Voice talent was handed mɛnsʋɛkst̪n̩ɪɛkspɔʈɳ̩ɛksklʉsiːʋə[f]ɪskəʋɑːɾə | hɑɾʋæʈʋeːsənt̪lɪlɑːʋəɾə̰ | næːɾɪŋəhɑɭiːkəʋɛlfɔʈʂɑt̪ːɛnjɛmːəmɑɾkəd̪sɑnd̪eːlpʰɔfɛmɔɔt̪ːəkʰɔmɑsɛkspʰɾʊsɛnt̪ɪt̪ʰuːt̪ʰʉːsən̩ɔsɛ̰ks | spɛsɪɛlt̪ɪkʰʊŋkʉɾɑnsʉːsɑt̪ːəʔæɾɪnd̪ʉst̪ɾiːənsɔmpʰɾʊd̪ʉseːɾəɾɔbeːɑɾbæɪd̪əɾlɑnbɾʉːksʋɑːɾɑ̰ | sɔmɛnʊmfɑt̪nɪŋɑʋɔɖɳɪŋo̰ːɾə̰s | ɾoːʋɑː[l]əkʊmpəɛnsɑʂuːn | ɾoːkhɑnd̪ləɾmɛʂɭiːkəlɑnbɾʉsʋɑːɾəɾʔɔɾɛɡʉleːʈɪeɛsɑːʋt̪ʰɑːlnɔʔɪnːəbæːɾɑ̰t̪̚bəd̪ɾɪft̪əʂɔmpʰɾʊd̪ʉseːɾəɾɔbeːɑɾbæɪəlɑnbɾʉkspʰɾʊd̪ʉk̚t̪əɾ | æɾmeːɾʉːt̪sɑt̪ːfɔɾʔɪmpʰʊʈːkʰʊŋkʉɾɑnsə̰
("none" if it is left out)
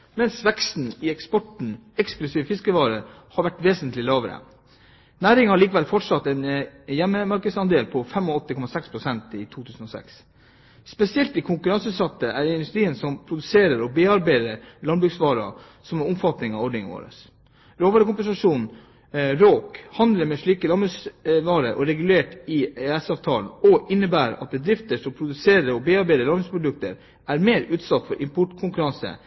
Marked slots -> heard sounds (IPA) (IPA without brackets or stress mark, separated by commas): f, ɾ